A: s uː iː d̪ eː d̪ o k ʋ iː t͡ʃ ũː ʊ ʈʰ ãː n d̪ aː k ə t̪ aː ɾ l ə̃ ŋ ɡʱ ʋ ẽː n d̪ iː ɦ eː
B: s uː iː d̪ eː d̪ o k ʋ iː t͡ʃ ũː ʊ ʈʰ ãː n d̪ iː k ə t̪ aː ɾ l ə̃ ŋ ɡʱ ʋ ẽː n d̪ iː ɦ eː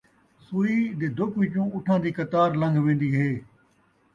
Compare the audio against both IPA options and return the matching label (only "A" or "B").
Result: B